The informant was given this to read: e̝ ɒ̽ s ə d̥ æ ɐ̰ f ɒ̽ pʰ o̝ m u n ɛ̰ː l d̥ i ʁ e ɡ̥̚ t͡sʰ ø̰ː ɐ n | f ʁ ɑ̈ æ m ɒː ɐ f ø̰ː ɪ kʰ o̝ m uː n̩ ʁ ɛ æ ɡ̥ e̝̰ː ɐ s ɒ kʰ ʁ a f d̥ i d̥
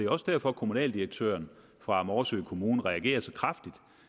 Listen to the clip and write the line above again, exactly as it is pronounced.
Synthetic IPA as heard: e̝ ɒ̽ s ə d̥ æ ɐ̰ f ɒ̽ kʰ o̝ m u n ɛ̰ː l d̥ i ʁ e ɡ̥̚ t͡sʰ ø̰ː ɐ n | f ʁ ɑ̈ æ m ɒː ɐ s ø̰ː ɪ kʰ o̝ m uː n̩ ʁ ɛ æ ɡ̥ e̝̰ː ɐ s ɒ kʰ ʁ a f d̥ i d̥